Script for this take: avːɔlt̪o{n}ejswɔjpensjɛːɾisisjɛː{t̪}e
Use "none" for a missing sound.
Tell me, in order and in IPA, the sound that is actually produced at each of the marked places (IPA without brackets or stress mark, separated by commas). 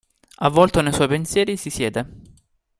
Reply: n, d̪